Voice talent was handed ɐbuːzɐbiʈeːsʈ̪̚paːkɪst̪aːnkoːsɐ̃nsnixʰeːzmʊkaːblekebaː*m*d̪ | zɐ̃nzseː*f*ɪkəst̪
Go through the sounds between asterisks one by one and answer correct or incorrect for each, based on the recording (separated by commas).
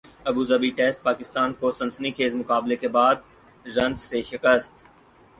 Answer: incorrect, incorrect